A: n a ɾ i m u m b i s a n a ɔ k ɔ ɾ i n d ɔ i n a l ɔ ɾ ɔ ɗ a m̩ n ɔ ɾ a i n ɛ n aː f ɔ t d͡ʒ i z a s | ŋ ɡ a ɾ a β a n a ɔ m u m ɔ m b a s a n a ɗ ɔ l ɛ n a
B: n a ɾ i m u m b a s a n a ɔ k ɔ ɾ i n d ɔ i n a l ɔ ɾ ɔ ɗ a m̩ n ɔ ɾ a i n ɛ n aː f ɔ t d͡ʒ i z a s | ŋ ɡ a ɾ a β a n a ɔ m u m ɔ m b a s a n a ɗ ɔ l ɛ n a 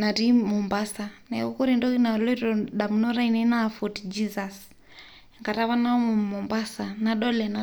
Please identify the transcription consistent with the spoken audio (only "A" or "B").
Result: B